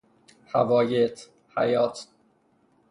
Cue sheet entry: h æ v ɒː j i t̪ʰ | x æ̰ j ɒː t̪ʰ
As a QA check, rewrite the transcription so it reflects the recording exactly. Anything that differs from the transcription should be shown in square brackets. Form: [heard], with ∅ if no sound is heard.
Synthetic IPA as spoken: h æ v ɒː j [e] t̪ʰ | [h] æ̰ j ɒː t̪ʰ